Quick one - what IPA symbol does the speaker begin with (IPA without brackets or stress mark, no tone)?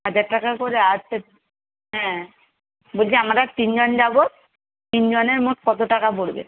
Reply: ɦ